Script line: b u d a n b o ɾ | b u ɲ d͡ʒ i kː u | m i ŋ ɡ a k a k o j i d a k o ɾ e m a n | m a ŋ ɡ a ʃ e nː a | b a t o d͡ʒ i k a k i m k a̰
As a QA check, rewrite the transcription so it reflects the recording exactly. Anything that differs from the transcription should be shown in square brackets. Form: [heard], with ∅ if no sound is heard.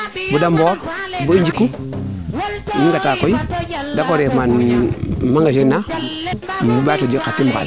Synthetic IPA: b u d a [m] b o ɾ | b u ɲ d͡ʒ i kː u | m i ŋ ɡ a [t] a k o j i d a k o ɾ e m a n | m a ŋ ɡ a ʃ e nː a | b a t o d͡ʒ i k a [t] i m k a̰